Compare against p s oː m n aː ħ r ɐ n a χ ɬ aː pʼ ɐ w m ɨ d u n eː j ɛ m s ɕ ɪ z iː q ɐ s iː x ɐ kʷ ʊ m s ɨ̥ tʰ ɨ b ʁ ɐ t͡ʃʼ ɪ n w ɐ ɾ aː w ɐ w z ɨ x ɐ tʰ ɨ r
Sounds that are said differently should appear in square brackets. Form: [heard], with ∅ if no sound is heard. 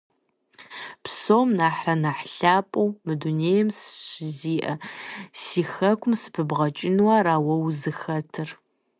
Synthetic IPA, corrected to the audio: p s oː m n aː ħ r ɐ n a [ħ] ɬ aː pʼ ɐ w m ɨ d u n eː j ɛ m s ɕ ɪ z iː [ʔ] ɐ s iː x ɐ kʷ ʊ m s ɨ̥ [pʰ] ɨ b ʁ ɐ t͡ʃʼ ɪ n w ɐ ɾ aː w ɐ w z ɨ x ɐ tʰ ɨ r

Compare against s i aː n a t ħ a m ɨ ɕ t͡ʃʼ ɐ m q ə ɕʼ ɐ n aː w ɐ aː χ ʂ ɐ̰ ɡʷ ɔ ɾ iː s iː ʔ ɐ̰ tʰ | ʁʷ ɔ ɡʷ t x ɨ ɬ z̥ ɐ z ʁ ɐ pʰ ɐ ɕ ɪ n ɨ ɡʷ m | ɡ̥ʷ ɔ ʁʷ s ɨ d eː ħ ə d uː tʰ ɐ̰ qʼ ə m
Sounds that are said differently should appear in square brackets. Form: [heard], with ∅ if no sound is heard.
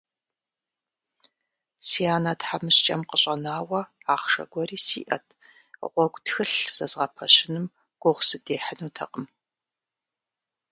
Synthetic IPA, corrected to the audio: s i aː n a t ħ a m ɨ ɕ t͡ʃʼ ɐ m q ə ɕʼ ɐ n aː w ɐ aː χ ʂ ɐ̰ ɡʷ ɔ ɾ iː s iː ʔ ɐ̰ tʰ | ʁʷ ɔ ɡʷ t x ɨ ɬ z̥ ɐ z ʁ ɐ pʰ ɐ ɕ ɪ n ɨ [∅] m | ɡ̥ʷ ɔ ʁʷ s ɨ d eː ħ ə [n] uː tʰ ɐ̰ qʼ ə m

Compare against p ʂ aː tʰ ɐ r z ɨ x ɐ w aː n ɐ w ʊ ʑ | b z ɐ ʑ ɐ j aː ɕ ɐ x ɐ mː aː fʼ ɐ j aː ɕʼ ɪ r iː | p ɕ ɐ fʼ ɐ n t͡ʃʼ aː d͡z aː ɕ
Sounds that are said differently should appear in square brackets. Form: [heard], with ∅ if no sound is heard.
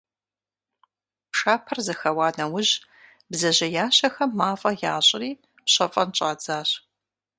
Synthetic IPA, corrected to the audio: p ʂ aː [pʰ] ɐ r z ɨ x ɐ w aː n ɐ w ʊ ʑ | b z ɐ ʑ ɐ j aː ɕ ɐ x ɐ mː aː fʼ ɐ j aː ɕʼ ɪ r iː | p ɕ ɐ fʼ ɐ n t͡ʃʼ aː d͡z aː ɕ

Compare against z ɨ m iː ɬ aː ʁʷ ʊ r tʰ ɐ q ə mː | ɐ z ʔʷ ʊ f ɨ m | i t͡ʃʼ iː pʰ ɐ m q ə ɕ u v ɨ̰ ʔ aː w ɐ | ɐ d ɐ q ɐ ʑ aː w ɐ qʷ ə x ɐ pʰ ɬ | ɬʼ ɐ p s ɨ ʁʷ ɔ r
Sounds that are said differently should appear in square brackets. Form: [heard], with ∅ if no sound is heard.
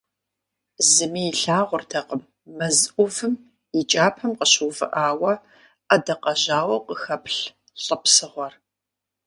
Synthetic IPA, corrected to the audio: z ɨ m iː ɬ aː ʁʷ ʊ r tʰ ɐ q ə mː | ɐ z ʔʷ ʊ [v] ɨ m | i t͡ʃʼ [aː] pʰ ɐ m q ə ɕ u v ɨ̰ ʔ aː w ɐ | ɐ d ɐ q ɐ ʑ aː w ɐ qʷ ə x ɐ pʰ ɬ | ɬʼ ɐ p s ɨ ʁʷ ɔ r

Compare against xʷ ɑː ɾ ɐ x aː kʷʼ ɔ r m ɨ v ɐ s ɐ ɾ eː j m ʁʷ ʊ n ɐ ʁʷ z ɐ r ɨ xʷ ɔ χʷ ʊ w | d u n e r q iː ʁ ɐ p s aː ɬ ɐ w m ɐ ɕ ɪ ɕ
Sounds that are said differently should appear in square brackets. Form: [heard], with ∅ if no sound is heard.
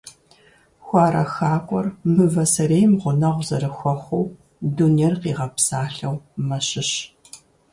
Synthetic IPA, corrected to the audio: xʷ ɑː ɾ ɐ x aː kʷʼ ɔ r m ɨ v ɐ s ɐ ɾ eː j m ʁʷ ʊ n ɐ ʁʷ z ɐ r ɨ xʷ ɔ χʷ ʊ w | d u n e r q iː ʁ ɐ p s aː ɬ ɐ w m ɐ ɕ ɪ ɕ

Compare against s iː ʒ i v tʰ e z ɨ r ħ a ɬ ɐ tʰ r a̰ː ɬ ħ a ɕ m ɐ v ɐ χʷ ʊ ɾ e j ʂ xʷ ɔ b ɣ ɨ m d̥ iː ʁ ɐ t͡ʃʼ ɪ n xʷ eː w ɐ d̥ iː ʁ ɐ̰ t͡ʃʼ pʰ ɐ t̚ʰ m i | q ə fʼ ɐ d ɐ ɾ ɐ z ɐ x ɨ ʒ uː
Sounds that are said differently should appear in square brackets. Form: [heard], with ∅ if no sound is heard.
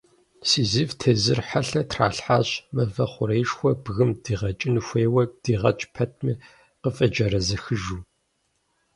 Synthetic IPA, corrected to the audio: s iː [z] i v tʰ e z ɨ r ħ a ɬ ɐ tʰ r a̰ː ɬ ħ a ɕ m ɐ v ɐ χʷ ʊ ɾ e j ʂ xʷ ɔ b ɣ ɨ m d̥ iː ʁ ɐ t͡ʃʼ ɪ n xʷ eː w ɐ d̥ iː ʁ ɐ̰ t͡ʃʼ pʰ ɐ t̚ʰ m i | q ə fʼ ɐ [d͡ʒ] ɐ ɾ ɐ z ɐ x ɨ ʒ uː

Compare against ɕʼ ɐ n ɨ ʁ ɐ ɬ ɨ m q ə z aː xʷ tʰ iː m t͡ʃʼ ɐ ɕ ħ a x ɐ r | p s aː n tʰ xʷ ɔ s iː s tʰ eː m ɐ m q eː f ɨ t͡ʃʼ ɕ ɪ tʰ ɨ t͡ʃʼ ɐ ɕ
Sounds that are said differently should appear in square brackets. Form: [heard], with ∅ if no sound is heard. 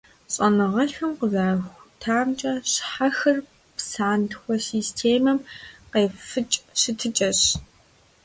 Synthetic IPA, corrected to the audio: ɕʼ ɐ n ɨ ʁ ɐ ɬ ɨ m q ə z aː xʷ tʰ [aː] m t͡ʃʼ ɐ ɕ ħ a x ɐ r | p s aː n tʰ xʷ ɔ s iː s tʰ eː m ɐ m q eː f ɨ t͡ʃʼ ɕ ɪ tʰ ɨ t͡ʃʼ ɐ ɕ

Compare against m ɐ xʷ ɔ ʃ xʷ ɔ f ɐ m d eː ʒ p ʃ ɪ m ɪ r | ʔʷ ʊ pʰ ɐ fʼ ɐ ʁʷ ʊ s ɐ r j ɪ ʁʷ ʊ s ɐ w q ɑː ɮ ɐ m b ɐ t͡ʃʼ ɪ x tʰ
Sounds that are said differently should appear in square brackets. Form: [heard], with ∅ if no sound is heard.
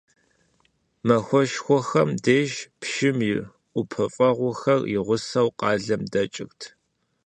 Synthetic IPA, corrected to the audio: m ɐ xʷ ɔ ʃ xʷ ɔ [x] ɐ m d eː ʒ p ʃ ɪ m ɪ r | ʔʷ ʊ pʰ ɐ fʼ ɐ ʁʷ ʊ [x] ɐ r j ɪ ʁʷ ʊ s ɐ w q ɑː ɮ ɐ m [d] ɐ t͡ʃʼ ɪ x tʰ

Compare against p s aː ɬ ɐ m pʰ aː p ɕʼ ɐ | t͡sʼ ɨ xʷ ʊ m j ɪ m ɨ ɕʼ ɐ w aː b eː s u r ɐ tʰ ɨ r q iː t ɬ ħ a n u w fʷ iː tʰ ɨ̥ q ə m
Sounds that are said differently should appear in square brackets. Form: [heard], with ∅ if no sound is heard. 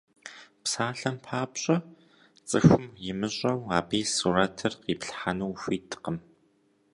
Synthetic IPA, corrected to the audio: p s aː ɬ ɐ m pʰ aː p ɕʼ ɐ | t͡sʼ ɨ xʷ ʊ m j ɪ m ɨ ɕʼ ɐ w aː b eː s u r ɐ tʰ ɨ r q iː [p] ɬ ħ a n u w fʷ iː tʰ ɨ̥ q ə m

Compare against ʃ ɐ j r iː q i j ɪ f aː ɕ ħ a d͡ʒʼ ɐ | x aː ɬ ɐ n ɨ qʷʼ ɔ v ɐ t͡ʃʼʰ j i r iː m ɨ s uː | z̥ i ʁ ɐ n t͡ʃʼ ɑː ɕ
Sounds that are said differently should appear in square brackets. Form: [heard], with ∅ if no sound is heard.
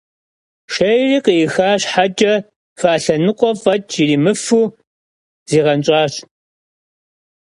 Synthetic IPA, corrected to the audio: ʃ ɐ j r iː q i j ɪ [x] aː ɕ ħ a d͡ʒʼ ɐ | [f] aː ɬ ɐ n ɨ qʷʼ ɔ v ɐ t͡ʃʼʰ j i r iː m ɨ [f] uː | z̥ [iː] ʁ ɐ n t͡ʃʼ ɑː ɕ

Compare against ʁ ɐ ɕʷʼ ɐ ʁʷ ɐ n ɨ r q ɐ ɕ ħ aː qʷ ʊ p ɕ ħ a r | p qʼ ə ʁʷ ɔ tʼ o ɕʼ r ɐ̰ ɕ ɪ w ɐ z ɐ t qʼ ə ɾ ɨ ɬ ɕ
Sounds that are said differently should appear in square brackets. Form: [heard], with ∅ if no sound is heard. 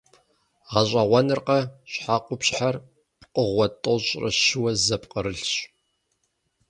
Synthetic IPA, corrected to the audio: ʁ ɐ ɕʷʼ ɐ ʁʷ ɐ n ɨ r q ɐ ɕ ħ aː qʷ ʊ p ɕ ħ a r | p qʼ ə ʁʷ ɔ tʼ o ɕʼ r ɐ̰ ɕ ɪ w ɐ z ɐ [p] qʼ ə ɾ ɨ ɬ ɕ

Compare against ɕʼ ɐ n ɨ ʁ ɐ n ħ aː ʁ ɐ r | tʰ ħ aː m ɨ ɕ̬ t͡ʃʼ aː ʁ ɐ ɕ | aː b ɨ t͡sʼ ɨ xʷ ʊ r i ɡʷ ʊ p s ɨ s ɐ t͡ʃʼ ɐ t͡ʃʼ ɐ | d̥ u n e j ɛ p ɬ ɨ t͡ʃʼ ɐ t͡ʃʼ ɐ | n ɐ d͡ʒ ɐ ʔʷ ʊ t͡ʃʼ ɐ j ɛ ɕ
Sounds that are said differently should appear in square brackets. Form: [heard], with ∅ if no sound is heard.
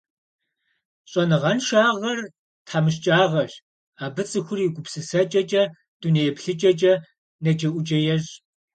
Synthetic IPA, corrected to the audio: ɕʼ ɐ n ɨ ʁ ɐ n [ʃ] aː ʁ ɐ r | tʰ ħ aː m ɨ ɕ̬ t͡ʃʼ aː ʁ ɐ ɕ | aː b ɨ t͡sʼ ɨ xʷ ʊ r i ɡʷ ʊ p s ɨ s ɐ t͡ʃʼ ɐ t͡ʃʼ ɐ | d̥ u n e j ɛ p ɬ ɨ t͡ʃʼ ɐ t͡ʃʼ ɐ | n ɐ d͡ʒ ɐ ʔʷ ʊ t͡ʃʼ ɐ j ɛ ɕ

